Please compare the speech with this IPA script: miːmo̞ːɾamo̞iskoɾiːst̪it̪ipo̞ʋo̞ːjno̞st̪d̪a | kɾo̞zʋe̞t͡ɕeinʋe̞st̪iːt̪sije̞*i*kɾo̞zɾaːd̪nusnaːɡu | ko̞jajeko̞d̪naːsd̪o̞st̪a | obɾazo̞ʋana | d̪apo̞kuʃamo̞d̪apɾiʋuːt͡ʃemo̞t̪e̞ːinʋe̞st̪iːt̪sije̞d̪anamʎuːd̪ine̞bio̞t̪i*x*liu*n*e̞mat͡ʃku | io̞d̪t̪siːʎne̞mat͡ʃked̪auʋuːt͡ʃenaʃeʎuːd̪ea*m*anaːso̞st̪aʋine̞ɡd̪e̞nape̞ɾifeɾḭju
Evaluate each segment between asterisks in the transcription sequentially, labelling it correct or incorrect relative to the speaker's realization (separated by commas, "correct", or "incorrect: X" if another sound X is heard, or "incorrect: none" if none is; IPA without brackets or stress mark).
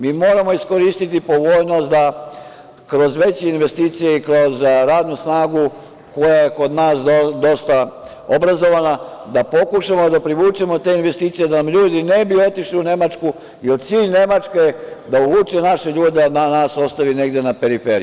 correct, incorrect: ʃ, correct, incorrect: n